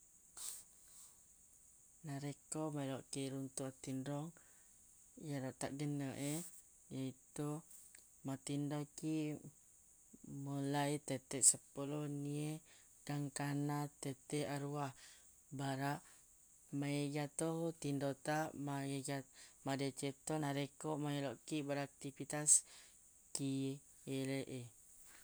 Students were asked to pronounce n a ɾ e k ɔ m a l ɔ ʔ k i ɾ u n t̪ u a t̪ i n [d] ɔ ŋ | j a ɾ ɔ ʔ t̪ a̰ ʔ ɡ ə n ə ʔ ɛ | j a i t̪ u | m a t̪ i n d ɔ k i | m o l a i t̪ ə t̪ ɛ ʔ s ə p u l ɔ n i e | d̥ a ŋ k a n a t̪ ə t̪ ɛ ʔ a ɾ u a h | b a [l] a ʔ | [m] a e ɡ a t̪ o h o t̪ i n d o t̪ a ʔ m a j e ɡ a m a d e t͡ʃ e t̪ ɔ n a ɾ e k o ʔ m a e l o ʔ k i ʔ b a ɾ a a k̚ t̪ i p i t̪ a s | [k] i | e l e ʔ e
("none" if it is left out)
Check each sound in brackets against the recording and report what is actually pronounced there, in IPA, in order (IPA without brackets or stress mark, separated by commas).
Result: d, ɾ, m, k